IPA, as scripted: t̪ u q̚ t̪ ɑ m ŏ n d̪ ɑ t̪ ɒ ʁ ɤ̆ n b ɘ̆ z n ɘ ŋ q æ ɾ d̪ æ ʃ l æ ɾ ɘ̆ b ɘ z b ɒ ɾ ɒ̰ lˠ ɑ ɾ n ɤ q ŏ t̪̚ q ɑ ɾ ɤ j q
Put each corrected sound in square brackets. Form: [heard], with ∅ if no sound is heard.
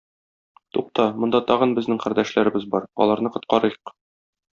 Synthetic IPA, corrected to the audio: t̪ u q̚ t̪ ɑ m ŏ n d̪ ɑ t̪ ɒ ʁ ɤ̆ n b ɘ̆ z n ɘ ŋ q æ ɾ d̪ æ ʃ l æ ɾ ɘ̆ b ɘ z b ɒ ɾ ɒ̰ lˠ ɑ ɾ n ɤ q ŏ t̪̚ q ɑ ɾ ɤ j q